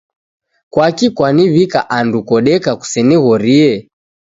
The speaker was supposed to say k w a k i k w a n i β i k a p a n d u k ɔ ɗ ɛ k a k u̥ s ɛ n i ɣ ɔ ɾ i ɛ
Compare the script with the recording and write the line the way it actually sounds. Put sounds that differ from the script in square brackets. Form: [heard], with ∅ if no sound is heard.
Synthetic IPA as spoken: k w a k i k w a n i β i k a [ʔ] a n d u k ɔ ɗ ɛ k a k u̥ s ɛ n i ɣ ɔ ɾ i ɛ